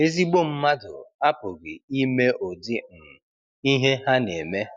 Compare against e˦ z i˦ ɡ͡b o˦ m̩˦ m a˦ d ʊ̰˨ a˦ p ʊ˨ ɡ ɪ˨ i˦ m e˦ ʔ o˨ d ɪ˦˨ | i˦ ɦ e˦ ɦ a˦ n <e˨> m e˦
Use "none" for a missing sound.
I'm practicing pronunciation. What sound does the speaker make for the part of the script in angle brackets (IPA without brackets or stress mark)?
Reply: e˨